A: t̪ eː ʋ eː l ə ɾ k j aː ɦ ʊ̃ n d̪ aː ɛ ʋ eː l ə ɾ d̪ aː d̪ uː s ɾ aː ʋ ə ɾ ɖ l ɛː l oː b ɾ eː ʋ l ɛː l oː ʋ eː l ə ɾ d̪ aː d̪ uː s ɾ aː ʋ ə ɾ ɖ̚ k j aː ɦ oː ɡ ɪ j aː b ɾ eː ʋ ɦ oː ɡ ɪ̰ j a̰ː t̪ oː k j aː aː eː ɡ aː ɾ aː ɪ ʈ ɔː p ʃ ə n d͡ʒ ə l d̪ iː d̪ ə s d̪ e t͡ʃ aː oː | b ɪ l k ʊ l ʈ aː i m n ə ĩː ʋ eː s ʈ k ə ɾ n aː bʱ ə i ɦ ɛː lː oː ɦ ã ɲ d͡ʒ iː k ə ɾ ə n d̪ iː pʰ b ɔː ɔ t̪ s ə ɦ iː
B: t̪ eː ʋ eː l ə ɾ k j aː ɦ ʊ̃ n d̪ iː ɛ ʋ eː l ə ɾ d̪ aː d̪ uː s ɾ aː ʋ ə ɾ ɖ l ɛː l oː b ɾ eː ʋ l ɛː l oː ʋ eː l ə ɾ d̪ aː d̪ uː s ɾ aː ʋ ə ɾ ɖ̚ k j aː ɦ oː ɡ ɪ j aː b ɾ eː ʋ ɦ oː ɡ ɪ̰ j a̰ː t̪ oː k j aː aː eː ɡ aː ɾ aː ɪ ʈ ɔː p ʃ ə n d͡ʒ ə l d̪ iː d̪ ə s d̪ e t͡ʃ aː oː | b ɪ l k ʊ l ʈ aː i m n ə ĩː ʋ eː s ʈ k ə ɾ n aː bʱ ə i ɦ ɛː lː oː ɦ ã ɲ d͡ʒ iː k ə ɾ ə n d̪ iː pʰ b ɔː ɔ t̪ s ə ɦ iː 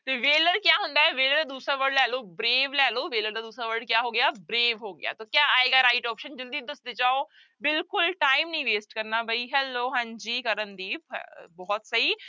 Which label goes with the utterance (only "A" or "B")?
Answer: A